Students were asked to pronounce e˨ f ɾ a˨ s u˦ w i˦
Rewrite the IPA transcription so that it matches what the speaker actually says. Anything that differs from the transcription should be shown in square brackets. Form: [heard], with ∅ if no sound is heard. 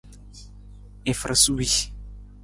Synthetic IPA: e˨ f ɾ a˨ s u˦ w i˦